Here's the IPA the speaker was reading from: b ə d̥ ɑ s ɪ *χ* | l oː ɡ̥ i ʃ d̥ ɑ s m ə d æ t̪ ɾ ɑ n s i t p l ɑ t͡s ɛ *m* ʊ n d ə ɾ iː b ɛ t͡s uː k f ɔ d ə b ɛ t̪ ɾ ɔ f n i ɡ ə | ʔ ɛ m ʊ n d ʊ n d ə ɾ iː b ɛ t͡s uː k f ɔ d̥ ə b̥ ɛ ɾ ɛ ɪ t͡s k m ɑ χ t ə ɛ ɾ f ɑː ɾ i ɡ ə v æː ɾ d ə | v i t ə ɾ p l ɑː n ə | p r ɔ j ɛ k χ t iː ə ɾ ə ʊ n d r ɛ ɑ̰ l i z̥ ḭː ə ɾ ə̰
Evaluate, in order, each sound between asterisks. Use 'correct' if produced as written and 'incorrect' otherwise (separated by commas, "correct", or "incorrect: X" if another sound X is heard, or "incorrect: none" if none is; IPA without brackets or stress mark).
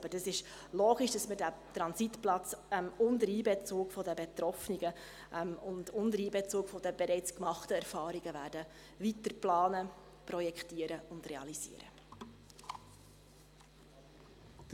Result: incorrect: ʃ, correct